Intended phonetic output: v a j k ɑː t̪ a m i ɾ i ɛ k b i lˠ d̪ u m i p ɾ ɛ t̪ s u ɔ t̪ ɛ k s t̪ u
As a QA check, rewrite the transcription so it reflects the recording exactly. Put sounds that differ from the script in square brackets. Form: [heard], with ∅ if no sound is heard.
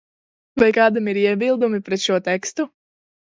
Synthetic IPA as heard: v a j k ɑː [d̪] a m i ɾ i ɛ [∅] b i lˠ d̪ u m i p ɾ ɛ t̪ [ʃ] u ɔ t̪ ɛ k s t̪ u